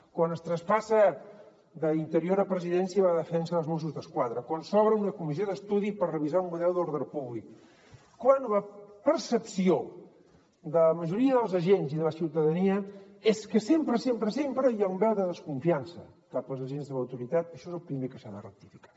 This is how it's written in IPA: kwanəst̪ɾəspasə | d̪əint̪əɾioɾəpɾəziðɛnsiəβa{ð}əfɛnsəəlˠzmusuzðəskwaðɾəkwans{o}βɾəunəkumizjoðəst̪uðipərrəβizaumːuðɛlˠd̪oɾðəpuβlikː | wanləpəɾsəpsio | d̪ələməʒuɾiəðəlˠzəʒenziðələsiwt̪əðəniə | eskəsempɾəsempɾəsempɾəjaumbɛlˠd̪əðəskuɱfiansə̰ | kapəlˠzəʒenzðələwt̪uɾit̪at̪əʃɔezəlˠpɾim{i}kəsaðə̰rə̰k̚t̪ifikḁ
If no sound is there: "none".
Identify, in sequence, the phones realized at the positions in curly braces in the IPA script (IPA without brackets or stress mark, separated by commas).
ð, ɔ, e